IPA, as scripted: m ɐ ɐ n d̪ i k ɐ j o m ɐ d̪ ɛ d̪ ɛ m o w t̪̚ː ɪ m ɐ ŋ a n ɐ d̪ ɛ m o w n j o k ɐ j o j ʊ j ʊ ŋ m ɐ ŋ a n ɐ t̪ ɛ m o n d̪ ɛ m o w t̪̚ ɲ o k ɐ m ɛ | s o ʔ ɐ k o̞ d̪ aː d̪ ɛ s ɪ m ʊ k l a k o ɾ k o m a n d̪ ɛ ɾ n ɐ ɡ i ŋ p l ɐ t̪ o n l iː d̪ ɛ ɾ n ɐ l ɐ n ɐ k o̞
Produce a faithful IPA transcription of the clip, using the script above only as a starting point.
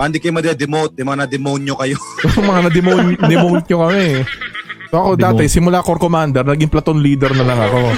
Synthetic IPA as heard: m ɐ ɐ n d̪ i k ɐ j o m ɐ d̪ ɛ d̪ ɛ m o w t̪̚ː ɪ m ɐ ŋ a n ɐ d̪ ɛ m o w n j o k ɐ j o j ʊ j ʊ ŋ m ɐ ŋ a n ɐ d̪ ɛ m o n d̪ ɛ m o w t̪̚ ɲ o k ɐ m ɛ | s o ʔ ɐ k o̞ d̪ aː t̪ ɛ s ɪ m ʊ l a k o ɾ k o m a n d̪ ɛ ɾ n ɐ ɡ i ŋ p l ɐ t̪ o n l iː d̪ ɛ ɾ n ɐ l ɐ ŋ ɐ k o̞